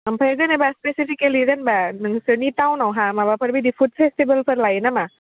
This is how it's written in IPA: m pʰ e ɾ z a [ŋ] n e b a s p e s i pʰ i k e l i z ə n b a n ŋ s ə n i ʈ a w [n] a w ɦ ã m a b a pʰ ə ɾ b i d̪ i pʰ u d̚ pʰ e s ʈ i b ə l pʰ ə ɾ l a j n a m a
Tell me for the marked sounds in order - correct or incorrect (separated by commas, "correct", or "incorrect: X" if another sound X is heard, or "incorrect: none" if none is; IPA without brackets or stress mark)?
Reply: incorrect: none, correct